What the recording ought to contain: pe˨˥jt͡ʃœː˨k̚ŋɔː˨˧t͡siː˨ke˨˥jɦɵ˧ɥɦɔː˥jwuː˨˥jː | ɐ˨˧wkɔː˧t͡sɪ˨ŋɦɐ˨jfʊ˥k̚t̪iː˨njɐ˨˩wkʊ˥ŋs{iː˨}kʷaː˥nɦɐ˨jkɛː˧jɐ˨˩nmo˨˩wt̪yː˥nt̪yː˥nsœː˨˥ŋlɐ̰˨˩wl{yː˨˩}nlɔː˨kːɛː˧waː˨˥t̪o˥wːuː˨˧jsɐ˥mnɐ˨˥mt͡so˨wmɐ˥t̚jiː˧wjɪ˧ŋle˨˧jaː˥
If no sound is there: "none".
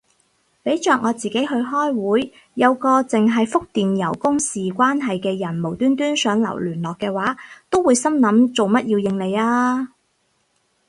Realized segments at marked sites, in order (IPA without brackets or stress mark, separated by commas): iː˨, yː˨˩